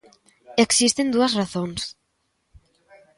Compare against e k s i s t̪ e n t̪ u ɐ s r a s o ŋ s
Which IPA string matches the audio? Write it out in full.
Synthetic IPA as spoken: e k s i s t̪ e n d̪ u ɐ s r a θ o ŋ s